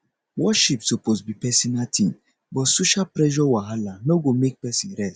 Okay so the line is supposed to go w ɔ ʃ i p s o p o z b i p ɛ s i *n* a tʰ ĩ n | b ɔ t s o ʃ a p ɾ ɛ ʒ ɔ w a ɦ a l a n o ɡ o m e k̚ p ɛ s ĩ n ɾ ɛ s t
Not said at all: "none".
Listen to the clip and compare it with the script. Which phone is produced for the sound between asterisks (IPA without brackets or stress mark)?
n